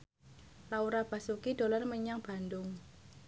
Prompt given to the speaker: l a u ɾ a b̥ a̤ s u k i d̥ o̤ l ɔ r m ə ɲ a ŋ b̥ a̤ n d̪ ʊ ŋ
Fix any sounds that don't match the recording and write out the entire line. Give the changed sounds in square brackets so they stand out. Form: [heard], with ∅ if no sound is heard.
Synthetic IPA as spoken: l a u ɾ a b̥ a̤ s u k i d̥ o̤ l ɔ r m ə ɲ a ŋ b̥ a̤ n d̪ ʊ ŋ